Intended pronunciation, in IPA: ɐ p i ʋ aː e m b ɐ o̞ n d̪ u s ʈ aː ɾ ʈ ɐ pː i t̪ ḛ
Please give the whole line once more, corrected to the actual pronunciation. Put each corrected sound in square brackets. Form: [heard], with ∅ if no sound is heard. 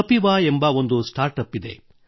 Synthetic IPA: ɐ p i ʋ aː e m b ɐ o̞ n d̪ u s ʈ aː ɾ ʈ ɐ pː i [d̪] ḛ

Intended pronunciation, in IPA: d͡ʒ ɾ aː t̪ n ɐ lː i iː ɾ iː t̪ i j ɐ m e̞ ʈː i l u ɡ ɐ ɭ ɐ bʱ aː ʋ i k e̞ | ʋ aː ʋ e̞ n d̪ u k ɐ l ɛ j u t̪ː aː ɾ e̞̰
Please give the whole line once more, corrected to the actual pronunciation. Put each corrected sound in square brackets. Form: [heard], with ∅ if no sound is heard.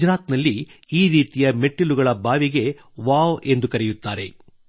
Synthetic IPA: d͡ʒ ɾ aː t̪ n ɐ lː i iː ɾ iː t̪ i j ɐ m e̞ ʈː i l u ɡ ɐ ɭ ɐ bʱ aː ʋ i [ɡ] e̞ | ʋ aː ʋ e̞ n d̪ u k ɐ [ɾ] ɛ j u t̪ː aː ɾ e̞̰

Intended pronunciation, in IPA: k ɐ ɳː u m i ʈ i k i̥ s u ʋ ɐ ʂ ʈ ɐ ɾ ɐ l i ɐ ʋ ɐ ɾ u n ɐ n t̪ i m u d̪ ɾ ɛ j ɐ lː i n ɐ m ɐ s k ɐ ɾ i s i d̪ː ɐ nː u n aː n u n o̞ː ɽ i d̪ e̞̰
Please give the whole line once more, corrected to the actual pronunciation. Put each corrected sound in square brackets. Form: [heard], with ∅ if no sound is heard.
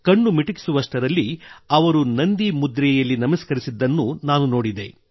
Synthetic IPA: k ɐ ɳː u m i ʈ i k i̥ s u ʋ ɐ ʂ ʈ ɐ ɾ ɐ [lː] i ɐ ʋ ɐ ɾ u n ɐ n [d̪] i m u d̪ ɾ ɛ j ɐ lː i n ɐ m ɐ s k ɐ ɾ i s i d̪ː ɐ nː u n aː n u n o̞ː ɽ i d̪ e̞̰

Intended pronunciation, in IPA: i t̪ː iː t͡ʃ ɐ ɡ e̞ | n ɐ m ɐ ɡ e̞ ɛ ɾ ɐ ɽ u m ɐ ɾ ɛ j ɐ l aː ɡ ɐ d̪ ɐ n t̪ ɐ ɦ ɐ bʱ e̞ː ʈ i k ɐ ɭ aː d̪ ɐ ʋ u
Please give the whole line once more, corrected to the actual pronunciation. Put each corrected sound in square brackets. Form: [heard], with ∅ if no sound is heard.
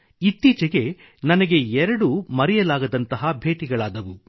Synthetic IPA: i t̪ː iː t͡ʃ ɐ ɡ e̞ | n ɐ [n] ɐ ɡ e̞ ɛ ɾ ɐ ɽ u m ɐ ɾ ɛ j ɐ l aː ɡ ɐ d̪ ɐ n t̪ ɐ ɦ ɐ bʱ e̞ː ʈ i [ɡ] ɐ ɭ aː d̪ ɐ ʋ u

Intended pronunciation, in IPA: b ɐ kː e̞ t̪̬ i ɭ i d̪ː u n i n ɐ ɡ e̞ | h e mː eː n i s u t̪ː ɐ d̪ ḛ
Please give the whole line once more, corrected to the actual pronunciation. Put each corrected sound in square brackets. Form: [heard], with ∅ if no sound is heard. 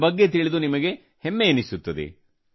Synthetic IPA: b ɐ [ɡː] e̞ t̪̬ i ɭ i [d̪] u n i [m] ɐ ɡ e̞ | h e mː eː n i s u t̪ː ɐ d̪ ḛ

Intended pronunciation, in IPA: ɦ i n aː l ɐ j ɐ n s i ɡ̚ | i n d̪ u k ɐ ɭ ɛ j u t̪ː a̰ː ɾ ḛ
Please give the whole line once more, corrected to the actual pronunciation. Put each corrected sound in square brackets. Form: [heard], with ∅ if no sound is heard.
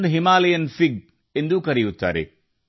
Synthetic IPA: ɦ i [m] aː l ɐ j ɐ n [f] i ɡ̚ | [e] n d̪ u k ɐ [ɾ] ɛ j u t̪ː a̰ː ɾ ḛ

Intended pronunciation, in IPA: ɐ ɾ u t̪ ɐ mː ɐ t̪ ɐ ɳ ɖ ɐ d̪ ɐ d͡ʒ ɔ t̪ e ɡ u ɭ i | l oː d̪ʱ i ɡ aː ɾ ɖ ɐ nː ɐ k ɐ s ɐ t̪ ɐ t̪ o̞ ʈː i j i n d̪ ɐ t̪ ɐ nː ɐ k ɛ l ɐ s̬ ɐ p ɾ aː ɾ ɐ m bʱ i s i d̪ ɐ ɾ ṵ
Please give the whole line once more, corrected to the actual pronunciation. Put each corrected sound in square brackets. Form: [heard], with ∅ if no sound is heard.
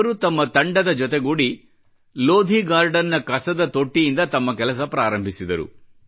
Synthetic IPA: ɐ ɾ u t̪ ɐ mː ɐ t̪ ɐ ɳ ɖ ɐ d̪ ɐ d͡ʒ ɔ t̪ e ɡ u [ɽ] i | l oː d̪ʱ i ɡ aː ɾ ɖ ɐ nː ɐ k ɐ s ɐ [d̪] ɐ t̪ o̞ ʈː i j i n d̪ ɐ t̪ ɐ [mː] ɐ k ɛ l ɐ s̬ ɐ p ɾ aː ɾ ɐ m bʱ i s i d̪ ɐ ɾ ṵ

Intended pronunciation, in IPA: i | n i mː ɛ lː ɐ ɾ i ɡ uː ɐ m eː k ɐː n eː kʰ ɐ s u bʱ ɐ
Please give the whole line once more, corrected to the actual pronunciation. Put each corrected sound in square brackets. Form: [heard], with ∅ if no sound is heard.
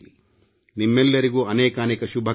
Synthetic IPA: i | n i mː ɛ lː ɐ ɾ i ɡ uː ɐ [n] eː k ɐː n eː [k] ɐ [ʃ] u bʱ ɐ

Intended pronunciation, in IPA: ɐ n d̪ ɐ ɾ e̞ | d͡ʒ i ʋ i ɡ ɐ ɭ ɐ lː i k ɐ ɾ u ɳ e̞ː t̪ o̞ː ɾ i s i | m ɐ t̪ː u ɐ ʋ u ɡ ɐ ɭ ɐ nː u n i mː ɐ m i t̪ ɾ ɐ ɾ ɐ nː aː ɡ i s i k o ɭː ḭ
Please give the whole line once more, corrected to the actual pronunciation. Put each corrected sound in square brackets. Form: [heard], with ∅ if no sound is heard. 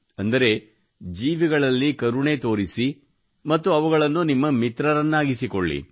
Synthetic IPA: ɐ n d̪ ɐ ɾ e̞ | d͡ʒ [iː] ʋ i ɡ ɐ ɭ ɐ lː i k ɐ ɾ u ɳ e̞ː t̪ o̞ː ɾ i s i | m ɐ t̪ː u ɐ ʋ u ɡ ɐ ɭ ɐ nː u n i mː ɐ m i t̪ ɾ ɐ ɾ ɐ nː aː ɡ i s i k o ɭː ḭ

